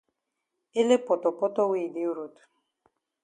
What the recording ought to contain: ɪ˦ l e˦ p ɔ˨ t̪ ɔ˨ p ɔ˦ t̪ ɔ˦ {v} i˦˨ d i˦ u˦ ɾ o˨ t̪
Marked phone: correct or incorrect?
incorrect